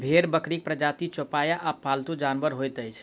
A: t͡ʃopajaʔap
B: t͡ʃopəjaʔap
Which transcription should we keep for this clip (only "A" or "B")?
A